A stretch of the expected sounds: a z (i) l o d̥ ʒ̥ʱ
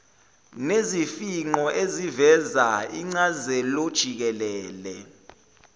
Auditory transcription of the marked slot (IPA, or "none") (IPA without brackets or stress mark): ɛ